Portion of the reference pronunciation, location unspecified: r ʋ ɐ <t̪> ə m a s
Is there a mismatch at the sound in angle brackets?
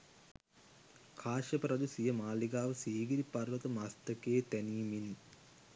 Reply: no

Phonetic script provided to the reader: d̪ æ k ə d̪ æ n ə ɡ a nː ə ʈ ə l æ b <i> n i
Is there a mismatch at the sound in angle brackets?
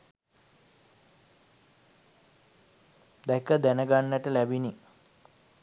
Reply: no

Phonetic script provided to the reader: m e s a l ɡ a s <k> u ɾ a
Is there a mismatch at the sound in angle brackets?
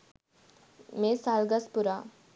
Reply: yes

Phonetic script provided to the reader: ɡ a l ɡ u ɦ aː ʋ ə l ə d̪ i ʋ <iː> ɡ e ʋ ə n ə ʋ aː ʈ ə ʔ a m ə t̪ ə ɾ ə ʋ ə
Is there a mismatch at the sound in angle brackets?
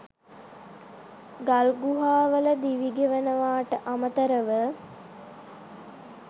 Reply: yes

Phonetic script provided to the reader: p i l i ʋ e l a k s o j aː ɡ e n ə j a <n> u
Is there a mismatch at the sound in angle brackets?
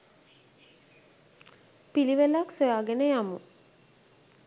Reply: yes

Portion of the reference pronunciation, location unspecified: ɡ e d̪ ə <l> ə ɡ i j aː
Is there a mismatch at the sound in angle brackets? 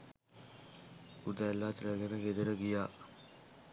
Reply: yes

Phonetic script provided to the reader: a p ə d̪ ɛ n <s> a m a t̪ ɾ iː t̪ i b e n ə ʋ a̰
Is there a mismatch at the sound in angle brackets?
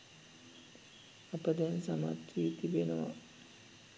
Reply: no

